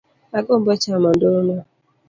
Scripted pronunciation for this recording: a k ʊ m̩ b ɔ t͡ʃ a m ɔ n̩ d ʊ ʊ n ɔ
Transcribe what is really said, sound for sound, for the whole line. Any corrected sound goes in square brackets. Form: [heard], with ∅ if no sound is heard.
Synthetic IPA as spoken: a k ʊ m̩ b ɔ t͡ʃ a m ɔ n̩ d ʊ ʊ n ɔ